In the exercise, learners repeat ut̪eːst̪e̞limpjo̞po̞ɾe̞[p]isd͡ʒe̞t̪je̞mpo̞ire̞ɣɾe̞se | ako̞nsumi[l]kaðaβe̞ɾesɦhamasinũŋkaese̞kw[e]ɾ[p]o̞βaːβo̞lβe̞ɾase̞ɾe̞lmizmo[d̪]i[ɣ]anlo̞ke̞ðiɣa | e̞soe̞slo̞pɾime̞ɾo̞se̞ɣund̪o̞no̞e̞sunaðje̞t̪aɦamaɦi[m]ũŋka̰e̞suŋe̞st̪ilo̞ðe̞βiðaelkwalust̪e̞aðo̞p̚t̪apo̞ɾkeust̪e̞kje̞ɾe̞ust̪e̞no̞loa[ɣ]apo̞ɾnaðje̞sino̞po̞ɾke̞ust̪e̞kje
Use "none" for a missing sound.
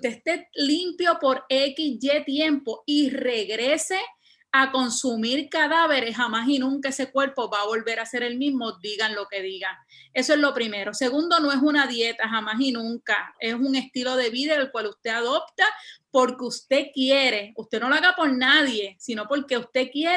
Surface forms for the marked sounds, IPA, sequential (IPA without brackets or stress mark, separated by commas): k, ɾ, e, p, d̪, ɣ, n, ɣ